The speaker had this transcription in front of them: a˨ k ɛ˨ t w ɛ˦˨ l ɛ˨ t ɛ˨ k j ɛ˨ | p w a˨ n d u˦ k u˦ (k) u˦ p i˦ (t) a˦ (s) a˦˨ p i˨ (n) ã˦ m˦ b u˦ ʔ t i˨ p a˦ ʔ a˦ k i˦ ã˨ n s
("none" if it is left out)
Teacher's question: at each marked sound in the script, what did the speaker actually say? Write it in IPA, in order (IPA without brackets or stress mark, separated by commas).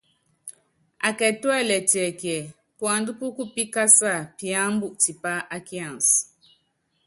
k, k, s, none